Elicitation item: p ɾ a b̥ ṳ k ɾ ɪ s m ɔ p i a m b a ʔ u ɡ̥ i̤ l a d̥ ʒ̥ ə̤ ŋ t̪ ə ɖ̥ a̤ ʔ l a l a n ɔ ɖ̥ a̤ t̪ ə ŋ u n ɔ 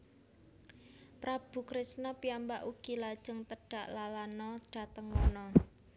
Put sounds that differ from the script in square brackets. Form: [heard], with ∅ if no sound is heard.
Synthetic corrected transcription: p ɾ a b̥ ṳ k ɾ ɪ s [n] ɔ p i a m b a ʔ u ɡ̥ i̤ l a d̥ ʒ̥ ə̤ ŋ t̪ ə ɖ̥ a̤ ʔ l a l a n ɔ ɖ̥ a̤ t̪ ə ŋ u n ɔ